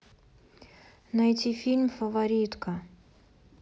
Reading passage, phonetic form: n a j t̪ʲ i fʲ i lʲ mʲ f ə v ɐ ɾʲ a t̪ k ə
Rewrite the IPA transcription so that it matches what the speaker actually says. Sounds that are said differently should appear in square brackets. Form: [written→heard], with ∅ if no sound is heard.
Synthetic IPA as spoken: n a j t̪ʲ i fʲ i lʲ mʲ f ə v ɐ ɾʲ [a→i] t̪ k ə